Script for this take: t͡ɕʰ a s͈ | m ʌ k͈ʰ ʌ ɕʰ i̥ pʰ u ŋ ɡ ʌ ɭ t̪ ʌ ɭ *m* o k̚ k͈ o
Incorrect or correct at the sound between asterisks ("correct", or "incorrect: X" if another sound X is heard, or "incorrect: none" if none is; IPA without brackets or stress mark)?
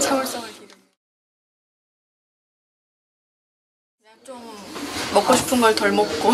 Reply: correct